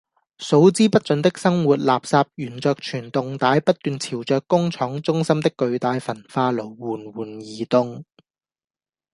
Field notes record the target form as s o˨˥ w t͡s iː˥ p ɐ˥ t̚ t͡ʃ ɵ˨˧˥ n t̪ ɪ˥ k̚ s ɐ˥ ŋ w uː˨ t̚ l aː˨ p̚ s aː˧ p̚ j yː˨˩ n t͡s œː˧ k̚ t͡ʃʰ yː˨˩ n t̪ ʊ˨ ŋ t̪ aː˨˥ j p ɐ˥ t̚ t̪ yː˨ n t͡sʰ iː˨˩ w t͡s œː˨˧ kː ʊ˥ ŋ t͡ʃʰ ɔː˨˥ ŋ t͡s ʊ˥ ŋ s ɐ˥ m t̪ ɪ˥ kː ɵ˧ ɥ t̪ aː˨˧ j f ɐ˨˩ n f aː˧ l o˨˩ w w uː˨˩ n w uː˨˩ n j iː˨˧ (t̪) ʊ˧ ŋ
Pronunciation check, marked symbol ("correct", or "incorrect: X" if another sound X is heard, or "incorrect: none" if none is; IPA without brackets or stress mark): correct